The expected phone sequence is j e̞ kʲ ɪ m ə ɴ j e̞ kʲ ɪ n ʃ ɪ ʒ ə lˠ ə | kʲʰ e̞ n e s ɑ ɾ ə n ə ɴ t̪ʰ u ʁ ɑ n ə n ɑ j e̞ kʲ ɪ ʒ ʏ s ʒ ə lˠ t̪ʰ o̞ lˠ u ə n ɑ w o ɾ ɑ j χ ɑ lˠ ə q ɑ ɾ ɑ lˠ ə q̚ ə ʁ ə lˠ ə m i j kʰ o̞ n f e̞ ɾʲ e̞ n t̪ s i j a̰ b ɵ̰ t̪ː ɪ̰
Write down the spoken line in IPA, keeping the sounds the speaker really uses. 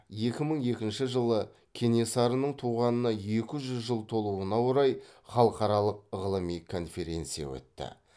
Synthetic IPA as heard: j e̞ kʲ ɪ m ə ɴ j e̞ kʲ ɪ n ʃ ɪ ʒ ə lˠ ə | kʲʰ e̞ n e s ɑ ɾ ə n ə ɴ t̪ʰ u ʁ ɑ n ə n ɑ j e̞ kʲ ɪ ʒ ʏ z ʒ ə lˠ t̪ʰ o̞ lˠ u ə n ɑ w o ɾ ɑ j χ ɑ lˠ ə q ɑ ɾ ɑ lˠ ə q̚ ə ʁ ə lˠ ə m i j kʰ o̞ n f e̞ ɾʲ e̞ n t̪ s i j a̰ w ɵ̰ t̪ː ɪ̰